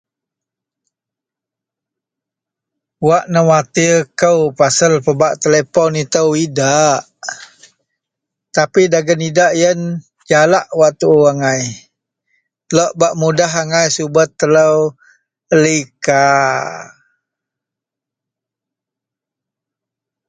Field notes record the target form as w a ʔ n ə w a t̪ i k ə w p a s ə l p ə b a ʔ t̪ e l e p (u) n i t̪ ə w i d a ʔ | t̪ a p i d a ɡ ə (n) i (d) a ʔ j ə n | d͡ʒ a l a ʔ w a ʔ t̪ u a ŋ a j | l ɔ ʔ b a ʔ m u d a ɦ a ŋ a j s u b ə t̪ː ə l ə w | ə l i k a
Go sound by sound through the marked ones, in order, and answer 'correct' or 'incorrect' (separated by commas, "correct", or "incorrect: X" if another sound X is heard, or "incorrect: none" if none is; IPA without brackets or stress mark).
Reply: incorrect: ɔ, correct, correct